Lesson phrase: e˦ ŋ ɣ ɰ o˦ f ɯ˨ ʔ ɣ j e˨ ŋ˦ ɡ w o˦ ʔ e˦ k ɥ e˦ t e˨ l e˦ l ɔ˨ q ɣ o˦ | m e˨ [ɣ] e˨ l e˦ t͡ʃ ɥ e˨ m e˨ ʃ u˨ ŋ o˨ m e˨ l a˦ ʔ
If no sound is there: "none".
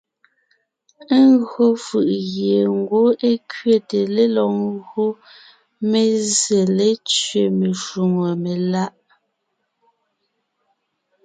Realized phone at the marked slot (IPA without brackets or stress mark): z